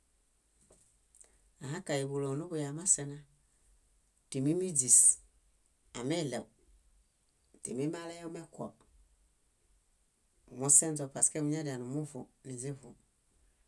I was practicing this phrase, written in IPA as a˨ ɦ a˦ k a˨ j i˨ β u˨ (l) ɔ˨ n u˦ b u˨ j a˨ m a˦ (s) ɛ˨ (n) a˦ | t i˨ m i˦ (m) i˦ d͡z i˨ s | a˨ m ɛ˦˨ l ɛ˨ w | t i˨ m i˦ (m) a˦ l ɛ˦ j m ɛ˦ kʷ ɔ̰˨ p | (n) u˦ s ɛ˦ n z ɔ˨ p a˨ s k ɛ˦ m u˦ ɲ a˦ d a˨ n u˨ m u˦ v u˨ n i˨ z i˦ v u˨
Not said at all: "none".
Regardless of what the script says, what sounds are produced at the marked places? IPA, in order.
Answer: l, s, n, m, m, m

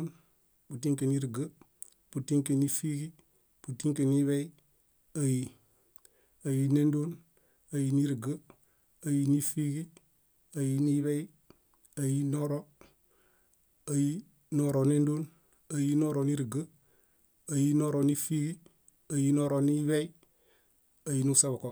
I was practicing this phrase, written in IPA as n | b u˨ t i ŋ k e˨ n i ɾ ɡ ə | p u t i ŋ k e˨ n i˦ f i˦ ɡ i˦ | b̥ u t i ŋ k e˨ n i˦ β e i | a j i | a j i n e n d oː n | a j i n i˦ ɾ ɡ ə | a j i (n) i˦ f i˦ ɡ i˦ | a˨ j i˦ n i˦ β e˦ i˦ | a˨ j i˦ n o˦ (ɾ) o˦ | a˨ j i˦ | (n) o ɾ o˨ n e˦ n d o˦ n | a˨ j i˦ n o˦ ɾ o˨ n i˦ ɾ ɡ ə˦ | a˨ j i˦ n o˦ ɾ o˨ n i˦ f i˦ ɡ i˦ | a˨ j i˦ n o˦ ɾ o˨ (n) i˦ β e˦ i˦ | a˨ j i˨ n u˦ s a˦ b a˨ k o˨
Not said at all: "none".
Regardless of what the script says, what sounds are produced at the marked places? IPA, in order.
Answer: n, ɾ, n, n

